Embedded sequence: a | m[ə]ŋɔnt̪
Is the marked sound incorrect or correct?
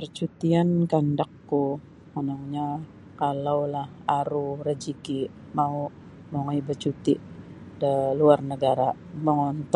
correct